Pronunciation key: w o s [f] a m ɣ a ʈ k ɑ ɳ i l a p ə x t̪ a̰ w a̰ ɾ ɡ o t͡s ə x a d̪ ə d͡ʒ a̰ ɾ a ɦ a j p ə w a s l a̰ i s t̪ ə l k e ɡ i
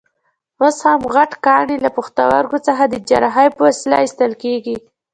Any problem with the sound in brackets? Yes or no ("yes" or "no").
yes